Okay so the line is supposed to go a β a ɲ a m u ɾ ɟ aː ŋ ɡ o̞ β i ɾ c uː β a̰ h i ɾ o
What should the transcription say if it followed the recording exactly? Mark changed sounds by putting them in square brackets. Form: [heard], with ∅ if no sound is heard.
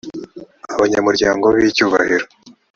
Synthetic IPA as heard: a β a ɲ a m u ɾ ɟ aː ŋ ɡ o̞ β i [∅] c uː β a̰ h i ɾ o